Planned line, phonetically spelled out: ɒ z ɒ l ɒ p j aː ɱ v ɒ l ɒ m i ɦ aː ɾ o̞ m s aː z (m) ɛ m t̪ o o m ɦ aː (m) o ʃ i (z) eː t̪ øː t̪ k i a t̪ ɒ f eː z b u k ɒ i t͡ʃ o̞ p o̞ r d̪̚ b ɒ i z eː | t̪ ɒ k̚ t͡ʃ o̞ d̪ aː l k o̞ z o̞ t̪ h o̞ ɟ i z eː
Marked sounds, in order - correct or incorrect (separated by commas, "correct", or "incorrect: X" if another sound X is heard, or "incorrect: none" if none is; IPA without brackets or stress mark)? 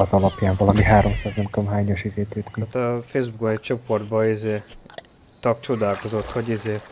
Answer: incorrect: n, incorrect: ɲ, correct